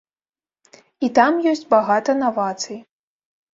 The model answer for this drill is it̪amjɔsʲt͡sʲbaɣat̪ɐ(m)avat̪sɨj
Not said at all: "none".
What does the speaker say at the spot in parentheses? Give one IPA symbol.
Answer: n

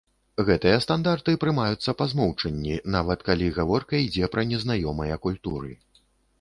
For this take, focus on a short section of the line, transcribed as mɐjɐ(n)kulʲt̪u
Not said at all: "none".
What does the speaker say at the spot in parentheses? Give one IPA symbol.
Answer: none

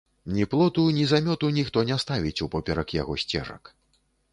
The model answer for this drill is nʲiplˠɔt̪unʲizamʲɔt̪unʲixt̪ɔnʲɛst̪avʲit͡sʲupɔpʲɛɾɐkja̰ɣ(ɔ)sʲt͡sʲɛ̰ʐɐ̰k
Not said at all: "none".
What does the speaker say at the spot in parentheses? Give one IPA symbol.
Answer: ɔ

